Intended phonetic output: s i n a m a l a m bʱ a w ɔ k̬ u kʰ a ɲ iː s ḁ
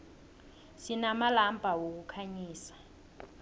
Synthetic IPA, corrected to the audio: s i n a m a l a m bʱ a w o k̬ u kʰ a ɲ iː s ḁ